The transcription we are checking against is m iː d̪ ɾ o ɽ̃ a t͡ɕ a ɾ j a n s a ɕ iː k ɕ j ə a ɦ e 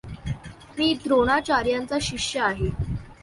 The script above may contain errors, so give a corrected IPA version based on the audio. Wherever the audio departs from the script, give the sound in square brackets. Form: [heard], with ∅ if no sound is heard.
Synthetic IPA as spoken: m iː d̪ ɾ o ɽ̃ a t͡ɕ a ɾ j a n [t͡s] a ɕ [i] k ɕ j ə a ɦ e